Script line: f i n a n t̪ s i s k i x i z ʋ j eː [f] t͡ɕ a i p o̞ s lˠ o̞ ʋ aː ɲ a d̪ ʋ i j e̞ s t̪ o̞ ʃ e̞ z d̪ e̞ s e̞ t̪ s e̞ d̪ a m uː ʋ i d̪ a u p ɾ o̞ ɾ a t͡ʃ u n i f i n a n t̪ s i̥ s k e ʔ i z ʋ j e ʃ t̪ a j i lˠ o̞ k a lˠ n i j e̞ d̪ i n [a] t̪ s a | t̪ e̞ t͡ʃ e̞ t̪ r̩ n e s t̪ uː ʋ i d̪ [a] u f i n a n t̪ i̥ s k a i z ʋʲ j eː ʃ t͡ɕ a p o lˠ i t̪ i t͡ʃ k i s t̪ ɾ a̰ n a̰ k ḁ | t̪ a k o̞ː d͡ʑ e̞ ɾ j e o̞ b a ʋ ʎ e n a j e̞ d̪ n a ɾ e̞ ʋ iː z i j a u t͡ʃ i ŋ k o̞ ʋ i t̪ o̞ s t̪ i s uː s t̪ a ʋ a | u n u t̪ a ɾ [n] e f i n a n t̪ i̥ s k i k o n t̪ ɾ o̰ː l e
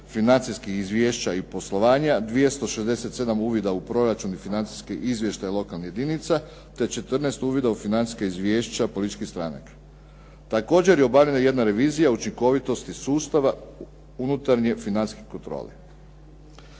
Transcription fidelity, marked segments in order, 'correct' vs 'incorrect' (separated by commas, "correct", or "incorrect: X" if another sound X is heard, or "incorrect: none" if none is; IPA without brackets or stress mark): incorrect: ʃ, incorrect: i, correct, incorrect: ɲ